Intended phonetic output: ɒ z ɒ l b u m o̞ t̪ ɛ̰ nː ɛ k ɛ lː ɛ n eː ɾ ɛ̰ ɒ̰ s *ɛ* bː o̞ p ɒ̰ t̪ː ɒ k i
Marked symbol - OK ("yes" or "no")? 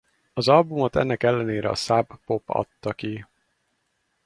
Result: no